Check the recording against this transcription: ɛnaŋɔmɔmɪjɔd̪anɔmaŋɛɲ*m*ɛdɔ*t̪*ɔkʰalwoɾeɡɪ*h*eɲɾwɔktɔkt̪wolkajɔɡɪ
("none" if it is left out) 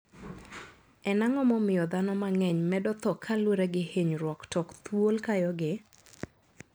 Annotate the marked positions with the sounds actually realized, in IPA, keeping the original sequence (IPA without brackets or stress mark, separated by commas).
m, t̪, h